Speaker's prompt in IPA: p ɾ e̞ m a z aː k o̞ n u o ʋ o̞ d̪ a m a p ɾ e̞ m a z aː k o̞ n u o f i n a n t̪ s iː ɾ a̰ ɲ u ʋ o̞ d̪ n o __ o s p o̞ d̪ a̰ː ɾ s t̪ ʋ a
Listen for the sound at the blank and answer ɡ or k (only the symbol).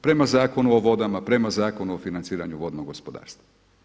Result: ɡ